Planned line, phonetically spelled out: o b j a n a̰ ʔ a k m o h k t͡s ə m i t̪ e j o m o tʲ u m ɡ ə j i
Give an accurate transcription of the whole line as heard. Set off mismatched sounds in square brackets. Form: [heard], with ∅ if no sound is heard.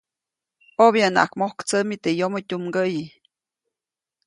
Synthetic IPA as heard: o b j a n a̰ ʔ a k m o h k t͡s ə m i t̪ e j o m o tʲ u m ɡ ə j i